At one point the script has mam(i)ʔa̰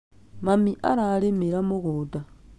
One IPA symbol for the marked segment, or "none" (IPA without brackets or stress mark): i